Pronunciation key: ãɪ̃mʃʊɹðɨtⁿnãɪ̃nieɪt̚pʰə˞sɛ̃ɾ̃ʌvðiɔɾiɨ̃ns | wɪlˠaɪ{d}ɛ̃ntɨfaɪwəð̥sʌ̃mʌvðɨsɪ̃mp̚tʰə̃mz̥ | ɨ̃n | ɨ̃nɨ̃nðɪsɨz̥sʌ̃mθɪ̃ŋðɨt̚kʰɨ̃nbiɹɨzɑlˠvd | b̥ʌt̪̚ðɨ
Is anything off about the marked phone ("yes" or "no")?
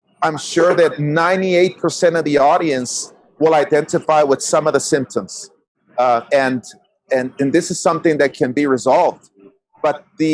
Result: no